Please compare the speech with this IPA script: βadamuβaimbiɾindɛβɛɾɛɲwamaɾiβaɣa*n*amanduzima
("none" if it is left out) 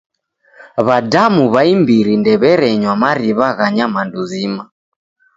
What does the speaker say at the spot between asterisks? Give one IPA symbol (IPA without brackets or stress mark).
ɲ